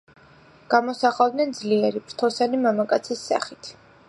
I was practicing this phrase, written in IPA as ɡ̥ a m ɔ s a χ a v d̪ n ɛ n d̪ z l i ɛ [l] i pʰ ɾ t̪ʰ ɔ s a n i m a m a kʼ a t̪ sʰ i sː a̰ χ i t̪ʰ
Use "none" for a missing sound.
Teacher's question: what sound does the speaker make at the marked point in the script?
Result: ɾ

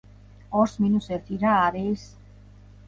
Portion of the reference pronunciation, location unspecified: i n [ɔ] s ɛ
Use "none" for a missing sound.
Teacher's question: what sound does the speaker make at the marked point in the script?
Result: u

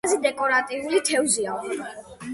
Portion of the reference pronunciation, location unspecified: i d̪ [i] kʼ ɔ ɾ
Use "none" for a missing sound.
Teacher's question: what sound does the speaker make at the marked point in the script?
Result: ɛ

